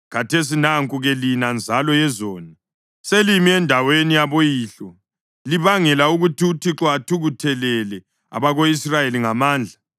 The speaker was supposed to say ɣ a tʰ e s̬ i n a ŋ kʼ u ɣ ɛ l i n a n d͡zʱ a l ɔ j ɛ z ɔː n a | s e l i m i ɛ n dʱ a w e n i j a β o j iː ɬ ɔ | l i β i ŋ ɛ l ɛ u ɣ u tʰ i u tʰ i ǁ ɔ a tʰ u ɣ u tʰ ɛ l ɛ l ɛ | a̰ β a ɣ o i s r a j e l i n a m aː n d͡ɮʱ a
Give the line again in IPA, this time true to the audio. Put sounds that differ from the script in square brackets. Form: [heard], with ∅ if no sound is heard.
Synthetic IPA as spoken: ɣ a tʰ e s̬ i n a ŋ kʼ u ɣ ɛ l i n a n d͡zʱ a l ɔ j ɛ z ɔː n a | s e l i m i ɛ n dʱ a w e n i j a β o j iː ɬ ɔ | l i β [a] ŋ ɛ l [a] u ɣ u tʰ i u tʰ i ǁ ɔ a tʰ u ɣ u tʰ ɛ l ɛ l ɛ | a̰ β a ɣ o i s r a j e l i [ŋ] a m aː n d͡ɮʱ a